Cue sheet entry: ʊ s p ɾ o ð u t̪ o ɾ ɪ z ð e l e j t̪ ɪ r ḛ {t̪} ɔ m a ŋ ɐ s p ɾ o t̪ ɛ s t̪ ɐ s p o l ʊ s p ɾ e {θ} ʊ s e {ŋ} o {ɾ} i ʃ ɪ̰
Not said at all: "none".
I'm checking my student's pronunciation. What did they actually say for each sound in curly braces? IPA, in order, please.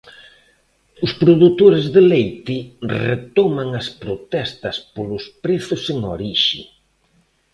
t̪, θ, ŋ, ɾ

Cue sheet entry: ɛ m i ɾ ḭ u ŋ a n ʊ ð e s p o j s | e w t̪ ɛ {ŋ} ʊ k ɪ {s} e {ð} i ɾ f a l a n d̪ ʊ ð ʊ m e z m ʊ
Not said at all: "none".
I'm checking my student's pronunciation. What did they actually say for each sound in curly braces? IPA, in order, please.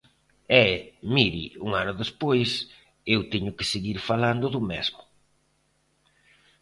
ɲ, s, ɣ

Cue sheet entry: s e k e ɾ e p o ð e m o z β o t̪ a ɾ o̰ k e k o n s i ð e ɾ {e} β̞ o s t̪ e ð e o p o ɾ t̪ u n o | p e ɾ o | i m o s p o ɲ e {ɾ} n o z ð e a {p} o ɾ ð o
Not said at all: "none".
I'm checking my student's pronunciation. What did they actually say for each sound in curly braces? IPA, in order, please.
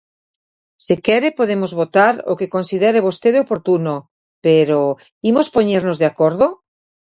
e, ɾ, k

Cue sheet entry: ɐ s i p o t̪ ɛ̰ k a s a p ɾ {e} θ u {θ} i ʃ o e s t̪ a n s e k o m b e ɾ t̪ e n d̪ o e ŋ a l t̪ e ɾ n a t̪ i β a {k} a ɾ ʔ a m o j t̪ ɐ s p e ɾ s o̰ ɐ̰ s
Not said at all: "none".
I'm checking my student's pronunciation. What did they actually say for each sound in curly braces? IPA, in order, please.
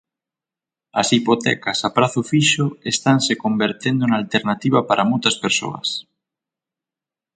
a, f, p

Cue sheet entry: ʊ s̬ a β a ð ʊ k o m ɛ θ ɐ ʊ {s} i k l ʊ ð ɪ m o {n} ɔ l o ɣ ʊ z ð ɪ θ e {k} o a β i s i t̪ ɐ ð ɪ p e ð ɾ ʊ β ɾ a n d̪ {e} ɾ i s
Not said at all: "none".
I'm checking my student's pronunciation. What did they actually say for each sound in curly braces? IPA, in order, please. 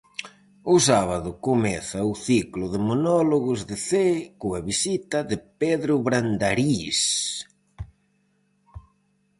θ, n, k, a

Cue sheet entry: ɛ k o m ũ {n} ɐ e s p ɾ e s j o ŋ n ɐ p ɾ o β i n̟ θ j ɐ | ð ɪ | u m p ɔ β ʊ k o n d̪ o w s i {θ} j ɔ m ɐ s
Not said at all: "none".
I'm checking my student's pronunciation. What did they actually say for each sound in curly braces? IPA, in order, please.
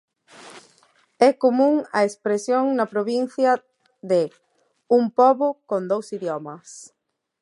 ŋ, ð

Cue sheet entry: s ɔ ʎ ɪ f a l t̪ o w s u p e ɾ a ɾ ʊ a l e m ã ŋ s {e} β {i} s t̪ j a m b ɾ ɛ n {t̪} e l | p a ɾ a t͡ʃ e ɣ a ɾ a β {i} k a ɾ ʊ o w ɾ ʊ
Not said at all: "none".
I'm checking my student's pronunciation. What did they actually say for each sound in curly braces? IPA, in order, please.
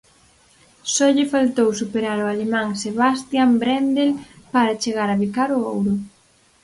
e, a, d̪, i

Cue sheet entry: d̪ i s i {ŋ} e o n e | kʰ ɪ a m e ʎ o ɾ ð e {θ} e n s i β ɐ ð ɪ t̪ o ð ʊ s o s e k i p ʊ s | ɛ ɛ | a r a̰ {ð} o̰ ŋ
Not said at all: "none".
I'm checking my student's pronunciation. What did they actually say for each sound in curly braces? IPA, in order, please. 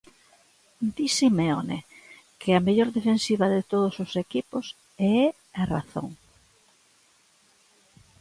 m, f, θ

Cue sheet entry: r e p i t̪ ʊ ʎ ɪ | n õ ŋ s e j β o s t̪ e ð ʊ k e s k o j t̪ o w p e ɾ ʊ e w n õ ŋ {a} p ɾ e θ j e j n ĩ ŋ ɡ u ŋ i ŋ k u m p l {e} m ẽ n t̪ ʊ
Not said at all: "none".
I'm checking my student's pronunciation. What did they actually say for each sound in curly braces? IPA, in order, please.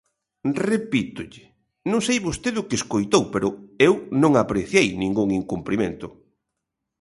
a, i

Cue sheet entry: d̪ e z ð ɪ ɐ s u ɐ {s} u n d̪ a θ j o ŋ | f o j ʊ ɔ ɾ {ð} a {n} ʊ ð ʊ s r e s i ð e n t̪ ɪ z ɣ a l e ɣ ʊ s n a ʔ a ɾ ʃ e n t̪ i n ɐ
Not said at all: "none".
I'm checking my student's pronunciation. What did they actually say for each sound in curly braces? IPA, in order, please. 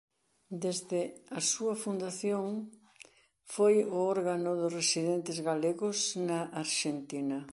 f, ɣ, n

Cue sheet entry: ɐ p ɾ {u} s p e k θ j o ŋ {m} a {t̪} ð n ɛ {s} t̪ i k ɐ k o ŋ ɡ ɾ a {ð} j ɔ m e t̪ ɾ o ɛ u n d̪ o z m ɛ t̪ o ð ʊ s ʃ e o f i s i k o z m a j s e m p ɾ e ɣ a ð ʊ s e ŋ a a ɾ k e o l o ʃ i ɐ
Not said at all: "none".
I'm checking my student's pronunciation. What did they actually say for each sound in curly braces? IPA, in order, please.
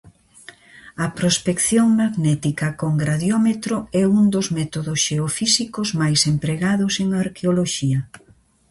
o, m, none, none, ð

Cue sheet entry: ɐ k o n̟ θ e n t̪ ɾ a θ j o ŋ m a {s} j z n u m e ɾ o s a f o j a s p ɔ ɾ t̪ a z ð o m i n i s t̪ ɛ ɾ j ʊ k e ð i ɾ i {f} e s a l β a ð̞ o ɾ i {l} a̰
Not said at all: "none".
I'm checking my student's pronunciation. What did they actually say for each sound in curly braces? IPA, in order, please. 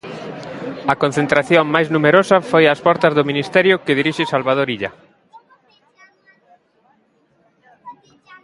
none, ʃ, ʎ

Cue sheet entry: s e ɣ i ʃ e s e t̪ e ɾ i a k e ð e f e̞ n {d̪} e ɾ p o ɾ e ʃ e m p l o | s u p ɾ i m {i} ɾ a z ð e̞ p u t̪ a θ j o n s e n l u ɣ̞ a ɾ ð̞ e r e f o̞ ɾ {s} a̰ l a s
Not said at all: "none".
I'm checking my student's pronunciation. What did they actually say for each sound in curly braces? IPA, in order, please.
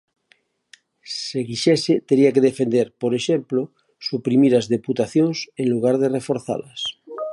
d̪, i, θ

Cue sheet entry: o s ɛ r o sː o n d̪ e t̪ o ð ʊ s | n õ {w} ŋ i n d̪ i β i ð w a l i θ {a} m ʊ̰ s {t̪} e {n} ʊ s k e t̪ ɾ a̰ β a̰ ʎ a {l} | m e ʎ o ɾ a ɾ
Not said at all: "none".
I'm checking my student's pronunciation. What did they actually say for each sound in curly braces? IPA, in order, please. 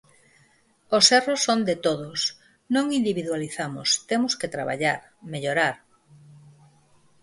none, a, t̪, m, ɾ

